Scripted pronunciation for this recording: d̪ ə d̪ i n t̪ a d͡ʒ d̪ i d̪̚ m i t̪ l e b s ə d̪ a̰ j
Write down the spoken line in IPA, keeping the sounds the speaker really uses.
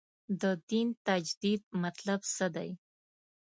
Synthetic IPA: d̪ ə d̪ i n t̪ a d͡ʒ d̪ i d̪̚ m a t̪ l a b s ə d̪ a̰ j